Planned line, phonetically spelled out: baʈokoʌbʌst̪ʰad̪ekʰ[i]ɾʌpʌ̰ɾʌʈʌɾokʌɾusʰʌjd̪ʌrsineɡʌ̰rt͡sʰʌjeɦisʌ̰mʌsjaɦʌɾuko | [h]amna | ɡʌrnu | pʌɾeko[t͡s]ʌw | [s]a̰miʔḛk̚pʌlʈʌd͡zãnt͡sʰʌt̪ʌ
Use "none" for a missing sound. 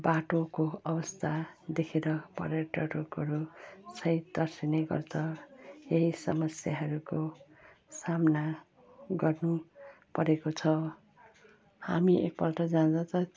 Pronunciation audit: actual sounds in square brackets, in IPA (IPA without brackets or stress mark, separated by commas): e, s, t͡sʰ, h